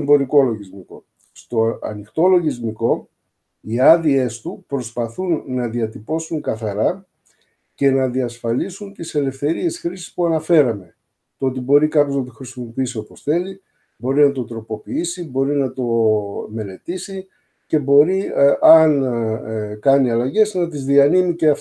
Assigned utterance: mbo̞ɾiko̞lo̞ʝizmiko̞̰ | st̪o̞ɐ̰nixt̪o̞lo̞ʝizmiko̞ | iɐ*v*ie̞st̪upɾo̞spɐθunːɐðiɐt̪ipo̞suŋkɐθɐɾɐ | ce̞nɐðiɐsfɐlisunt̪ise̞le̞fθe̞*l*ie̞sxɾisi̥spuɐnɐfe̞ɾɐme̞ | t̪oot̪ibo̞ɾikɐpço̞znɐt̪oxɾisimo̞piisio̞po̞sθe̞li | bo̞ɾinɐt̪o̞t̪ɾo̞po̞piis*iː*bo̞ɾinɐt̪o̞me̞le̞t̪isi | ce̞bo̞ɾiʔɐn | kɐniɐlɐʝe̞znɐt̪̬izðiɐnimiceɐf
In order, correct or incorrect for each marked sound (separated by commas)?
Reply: incorrect, incorrect, incorrect